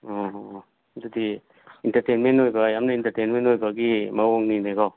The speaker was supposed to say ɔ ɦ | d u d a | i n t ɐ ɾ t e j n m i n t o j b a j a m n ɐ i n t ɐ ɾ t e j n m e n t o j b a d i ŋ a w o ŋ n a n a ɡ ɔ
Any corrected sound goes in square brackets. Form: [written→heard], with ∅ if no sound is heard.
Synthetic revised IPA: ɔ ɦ | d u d [a→i] | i n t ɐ ɾ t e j n m [i→e] n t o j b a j a m n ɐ i n t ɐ ɾ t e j n m e n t o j b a [d→ɡ] i [ŋ→m] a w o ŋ n [a→i] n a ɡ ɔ